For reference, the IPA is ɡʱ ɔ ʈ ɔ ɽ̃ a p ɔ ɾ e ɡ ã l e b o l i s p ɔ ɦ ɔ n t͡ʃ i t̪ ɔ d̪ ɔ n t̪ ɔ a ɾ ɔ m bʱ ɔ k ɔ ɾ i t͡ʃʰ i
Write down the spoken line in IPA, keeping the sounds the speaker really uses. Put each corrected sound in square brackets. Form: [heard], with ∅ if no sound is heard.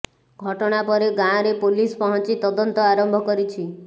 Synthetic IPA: ɡʱ ɔ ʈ ɔ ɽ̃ a p ɔ ɾ e ɡ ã [ɾ] e [p] o l i s p ɔ ɦ ɔ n t͡ʃ i t̪ ɔ d̪ ɔ n t̪ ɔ a ɾ ɔ m bʱ ɔ k ɔ ɾ i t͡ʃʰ i